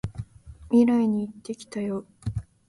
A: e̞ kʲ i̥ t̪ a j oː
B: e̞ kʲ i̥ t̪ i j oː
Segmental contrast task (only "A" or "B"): A